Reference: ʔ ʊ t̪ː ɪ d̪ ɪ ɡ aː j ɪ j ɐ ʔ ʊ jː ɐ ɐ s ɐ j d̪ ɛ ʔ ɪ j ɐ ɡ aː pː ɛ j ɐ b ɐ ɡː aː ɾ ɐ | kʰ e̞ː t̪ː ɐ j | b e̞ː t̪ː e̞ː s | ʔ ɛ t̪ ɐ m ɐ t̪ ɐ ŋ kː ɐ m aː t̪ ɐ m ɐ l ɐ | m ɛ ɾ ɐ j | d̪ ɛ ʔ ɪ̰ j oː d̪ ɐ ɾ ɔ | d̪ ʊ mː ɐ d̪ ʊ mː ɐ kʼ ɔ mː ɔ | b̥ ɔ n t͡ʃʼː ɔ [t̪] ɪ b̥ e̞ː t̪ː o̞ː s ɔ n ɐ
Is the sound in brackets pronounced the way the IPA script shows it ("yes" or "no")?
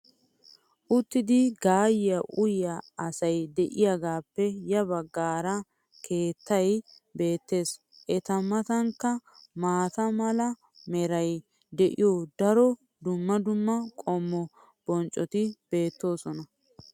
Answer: yes